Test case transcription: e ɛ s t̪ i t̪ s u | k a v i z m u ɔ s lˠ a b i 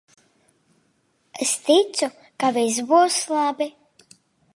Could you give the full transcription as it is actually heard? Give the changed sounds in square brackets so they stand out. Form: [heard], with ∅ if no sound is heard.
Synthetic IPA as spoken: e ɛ s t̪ i t̪ s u | k a v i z [b] u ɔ s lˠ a b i